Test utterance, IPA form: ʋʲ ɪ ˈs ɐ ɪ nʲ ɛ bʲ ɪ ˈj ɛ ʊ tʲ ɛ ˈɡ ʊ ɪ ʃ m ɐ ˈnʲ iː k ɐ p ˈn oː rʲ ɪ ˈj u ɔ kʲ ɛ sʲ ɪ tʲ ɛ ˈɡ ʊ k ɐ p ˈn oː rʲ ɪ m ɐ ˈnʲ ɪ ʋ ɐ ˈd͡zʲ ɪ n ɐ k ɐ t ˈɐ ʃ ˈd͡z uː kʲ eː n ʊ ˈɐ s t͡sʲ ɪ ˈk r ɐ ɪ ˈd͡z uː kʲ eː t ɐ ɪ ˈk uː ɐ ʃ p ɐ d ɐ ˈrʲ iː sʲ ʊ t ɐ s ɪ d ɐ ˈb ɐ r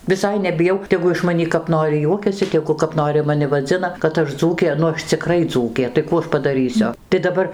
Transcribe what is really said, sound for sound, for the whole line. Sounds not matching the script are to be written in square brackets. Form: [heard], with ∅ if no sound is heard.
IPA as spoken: ʋʲ ɪ ˈs ɐ ɪ nʲ ɛ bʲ ɪ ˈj ɛ ʊ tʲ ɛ ˈɡ ʊ ɪ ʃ m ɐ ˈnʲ iː k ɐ p ˈn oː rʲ ɪ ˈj u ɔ kʲ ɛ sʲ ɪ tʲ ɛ ˈɡ ʊ k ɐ p ˈn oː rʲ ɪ m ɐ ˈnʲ ɪ ʋ ɐ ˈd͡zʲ ɪ n ɐ k ɐ t ˈɐ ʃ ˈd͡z uː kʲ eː n ʊ ˈɐ [ʃ] t͡sʲ ɪ ˈk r ɐ ɪ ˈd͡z uː kʲ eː t ɐ ɪ ˈk uː ɐ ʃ p ɐ d ɐ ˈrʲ iː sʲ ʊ t ɐ [∅] ɪ d ɐ ˈb ɐ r